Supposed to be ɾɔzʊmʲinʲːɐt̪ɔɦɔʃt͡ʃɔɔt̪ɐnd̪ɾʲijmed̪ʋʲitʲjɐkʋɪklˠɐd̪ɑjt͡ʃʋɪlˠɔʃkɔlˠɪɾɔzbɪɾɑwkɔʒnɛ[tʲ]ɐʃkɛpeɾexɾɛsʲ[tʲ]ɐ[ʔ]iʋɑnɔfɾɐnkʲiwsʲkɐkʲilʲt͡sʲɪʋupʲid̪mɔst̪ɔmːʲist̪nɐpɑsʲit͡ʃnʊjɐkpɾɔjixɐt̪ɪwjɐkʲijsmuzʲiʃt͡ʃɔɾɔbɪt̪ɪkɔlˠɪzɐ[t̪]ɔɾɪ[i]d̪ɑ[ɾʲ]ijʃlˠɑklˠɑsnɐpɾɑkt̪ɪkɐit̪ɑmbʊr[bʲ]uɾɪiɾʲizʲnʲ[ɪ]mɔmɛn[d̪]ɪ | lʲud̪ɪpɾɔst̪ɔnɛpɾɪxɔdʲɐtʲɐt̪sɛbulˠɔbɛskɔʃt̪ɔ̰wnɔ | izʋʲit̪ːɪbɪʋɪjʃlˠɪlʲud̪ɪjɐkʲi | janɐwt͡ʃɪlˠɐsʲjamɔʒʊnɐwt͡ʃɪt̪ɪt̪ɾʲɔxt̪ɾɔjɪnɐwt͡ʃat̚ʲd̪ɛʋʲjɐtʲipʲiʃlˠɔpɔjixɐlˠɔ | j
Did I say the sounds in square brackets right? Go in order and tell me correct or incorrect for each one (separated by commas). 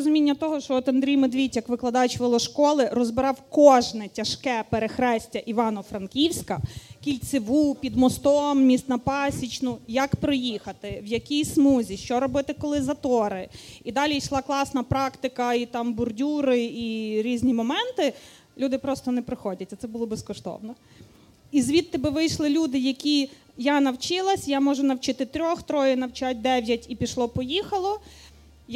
correct, correct, correct, correct, correct, incorrect, incorrect, incorrect, incorrect